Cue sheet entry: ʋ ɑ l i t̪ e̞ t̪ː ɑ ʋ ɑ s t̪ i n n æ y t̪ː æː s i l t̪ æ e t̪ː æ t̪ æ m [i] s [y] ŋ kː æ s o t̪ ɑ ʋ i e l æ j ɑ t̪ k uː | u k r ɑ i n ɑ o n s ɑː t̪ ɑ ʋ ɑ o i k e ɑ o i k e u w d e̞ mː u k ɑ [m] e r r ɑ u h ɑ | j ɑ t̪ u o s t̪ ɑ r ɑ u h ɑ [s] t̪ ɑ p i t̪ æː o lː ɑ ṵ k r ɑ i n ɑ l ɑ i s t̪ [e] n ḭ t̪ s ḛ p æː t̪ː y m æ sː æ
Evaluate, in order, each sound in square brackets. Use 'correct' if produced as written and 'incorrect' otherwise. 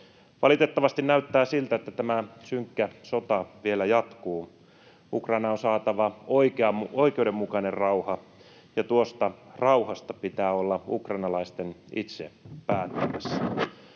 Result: incorrect: æ, correct, incorrect: n, correct, correct

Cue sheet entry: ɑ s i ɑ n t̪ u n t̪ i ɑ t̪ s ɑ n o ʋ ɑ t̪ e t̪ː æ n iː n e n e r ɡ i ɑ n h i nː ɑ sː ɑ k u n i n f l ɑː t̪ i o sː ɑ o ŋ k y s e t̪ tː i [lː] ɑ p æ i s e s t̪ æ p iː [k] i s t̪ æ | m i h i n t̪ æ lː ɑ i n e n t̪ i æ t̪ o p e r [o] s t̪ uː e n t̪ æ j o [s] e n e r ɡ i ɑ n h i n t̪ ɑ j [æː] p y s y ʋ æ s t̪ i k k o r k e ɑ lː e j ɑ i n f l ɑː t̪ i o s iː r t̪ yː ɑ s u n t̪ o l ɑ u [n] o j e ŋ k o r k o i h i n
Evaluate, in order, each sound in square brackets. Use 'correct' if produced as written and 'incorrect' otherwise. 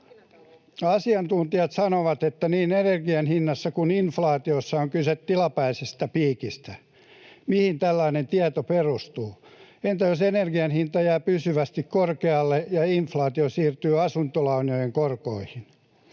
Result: incorrect: l, correct, incorrect: u, correct, correct, correct

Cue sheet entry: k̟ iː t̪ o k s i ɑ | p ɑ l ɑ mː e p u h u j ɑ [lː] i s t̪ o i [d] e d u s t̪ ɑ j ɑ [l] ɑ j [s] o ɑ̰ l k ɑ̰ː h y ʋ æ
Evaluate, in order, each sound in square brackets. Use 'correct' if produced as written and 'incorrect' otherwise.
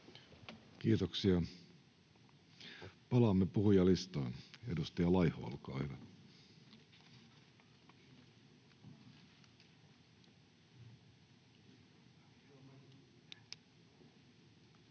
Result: incorrect: l, incorrect: n, correct, incorrect: h

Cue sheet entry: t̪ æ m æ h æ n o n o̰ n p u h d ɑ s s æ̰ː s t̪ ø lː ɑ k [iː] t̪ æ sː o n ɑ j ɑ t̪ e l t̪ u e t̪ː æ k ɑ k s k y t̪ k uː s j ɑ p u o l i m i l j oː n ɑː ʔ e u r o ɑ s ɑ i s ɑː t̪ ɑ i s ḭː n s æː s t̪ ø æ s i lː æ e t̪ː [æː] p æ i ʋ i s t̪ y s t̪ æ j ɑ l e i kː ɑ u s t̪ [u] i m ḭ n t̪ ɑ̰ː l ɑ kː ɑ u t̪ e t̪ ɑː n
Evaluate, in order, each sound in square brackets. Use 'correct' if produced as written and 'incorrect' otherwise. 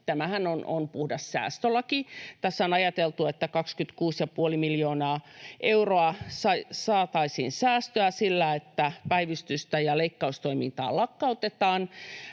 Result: incorrect: i, incorrect: æ, incorrect: o

